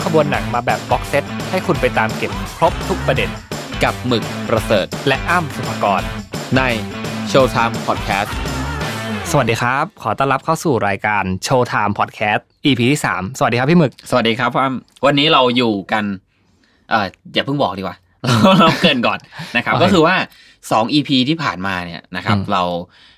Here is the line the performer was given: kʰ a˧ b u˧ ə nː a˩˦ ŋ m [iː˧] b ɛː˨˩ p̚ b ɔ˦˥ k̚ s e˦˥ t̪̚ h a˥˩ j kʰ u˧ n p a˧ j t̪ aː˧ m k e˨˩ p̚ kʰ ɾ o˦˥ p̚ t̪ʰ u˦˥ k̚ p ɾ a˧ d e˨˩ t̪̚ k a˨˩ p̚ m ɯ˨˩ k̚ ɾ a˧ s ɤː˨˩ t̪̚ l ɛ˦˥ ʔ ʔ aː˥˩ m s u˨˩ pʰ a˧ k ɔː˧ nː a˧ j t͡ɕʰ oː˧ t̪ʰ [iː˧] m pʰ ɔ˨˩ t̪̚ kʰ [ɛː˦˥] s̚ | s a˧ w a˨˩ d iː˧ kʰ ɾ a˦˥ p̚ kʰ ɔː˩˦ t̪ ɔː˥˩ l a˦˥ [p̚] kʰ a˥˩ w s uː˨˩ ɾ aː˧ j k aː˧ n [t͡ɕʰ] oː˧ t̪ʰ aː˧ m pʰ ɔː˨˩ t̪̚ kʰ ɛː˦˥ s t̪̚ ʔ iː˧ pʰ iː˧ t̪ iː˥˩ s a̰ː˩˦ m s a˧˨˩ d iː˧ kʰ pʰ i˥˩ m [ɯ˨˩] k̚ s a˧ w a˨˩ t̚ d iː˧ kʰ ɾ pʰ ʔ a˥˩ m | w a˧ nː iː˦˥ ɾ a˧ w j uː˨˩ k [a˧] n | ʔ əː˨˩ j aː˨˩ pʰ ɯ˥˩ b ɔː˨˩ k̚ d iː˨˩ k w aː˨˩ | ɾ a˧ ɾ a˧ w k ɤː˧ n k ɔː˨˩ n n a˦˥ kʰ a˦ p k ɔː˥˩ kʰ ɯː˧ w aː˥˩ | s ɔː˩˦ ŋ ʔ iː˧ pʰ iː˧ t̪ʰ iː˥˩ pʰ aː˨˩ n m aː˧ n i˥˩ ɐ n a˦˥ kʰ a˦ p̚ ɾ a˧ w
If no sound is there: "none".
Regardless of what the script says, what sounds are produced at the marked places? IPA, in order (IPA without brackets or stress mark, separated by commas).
aː˧, aː˧, ɛː˦˥, p̚, t͡ɕʰ, ɯ˨˩, a˧